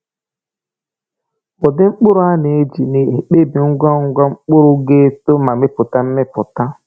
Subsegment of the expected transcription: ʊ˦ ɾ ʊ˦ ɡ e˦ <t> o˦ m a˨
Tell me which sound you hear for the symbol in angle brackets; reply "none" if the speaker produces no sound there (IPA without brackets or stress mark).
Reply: t